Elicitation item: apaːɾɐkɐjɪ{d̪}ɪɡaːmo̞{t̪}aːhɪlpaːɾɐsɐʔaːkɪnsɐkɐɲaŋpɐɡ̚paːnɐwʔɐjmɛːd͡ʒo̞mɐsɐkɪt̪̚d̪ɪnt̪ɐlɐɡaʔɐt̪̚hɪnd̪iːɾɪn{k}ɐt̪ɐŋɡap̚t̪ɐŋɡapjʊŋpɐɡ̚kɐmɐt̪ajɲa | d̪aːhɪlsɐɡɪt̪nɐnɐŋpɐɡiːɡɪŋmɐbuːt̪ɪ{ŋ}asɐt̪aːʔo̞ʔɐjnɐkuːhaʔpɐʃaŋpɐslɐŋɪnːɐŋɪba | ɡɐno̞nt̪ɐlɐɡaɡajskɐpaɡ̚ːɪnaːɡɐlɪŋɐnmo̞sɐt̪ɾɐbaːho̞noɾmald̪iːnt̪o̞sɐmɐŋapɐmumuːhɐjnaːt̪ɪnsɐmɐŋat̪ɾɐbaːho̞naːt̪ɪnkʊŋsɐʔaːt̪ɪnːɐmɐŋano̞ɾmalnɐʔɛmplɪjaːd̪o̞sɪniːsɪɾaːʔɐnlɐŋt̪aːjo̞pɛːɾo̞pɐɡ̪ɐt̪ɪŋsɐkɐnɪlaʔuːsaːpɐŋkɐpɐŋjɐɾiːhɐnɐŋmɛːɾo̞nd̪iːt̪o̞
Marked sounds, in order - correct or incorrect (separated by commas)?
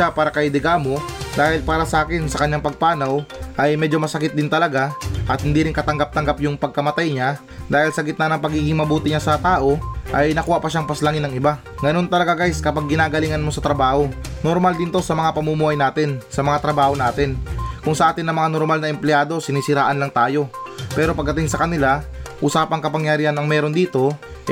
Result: correct, incorrect, correct, incorrect